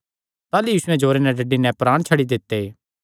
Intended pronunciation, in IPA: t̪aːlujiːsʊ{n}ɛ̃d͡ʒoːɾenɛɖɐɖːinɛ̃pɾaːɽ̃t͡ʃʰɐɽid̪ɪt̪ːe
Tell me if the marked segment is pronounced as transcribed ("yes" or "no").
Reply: no